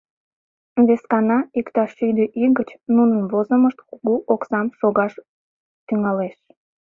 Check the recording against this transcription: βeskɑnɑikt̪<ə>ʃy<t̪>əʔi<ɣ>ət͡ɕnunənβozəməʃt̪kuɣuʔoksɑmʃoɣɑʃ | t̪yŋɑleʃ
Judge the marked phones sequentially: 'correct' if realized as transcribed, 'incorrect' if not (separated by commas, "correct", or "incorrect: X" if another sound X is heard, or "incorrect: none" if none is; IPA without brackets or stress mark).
incorrect: ɑ, incorrect: d̪, correct